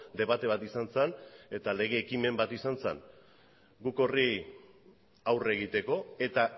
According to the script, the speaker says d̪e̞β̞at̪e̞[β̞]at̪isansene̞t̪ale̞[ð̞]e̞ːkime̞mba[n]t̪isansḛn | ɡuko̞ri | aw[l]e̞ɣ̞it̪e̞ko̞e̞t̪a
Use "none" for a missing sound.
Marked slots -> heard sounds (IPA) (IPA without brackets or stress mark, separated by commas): β̞, ɣ̞, none, r